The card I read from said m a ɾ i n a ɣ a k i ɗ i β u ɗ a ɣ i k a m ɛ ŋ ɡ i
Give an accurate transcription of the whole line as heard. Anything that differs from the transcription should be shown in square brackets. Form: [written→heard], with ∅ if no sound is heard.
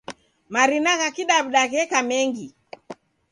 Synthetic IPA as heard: m a ɾ i n a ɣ a k i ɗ [i→a] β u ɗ a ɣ [i→ɛ] k a m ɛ ŋ ɡ i